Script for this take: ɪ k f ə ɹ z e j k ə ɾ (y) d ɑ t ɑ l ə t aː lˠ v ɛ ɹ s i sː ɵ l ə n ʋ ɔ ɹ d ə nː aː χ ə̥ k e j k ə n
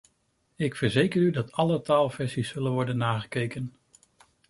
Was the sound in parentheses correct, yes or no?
yes